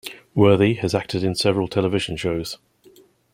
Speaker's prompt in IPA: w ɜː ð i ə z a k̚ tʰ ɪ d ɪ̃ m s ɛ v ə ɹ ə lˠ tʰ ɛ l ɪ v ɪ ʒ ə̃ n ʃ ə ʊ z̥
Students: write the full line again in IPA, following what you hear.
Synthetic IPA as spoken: w ɜː ð i ə z a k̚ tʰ ɪ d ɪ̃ n s ɛ v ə ɹ ə lˠ tʰ ɛ l ɪ v ɪ ʒ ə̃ n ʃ ə ʊ z̥